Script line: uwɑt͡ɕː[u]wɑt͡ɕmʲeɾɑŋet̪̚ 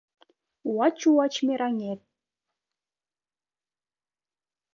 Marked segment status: correct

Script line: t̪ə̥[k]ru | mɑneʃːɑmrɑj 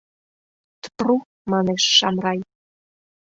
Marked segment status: incorrect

